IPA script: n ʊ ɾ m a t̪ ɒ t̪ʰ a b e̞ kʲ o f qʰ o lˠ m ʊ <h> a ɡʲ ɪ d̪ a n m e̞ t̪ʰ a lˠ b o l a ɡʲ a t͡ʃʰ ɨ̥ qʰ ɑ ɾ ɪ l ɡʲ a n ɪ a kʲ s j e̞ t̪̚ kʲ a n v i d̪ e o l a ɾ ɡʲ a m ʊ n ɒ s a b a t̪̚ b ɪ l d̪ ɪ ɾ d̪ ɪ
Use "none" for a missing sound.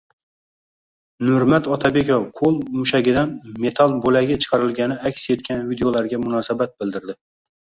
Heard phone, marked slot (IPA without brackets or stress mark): ʃ